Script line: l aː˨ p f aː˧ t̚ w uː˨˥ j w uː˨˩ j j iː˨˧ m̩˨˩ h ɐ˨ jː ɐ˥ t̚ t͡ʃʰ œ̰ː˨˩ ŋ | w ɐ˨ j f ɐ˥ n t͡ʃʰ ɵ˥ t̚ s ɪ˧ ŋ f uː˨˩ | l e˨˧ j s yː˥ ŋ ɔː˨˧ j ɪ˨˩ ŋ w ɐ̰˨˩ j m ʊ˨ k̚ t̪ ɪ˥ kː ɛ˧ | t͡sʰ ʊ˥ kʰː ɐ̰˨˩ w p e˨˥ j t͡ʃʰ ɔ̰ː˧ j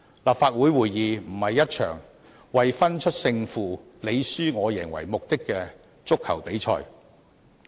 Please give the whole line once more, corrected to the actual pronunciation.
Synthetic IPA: l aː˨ p f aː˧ t̚ w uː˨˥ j w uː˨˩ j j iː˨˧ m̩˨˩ h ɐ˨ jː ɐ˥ t̚ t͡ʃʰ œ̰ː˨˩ ŋ | w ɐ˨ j f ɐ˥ n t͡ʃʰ ɵ˥ t̚ s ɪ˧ ŋ f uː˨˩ | l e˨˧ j s yː˥ ŋ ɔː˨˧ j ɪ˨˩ ŋ w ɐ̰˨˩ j m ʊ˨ k̚ t̪ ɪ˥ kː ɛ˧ | t͡s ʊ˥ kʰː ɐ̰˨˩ w p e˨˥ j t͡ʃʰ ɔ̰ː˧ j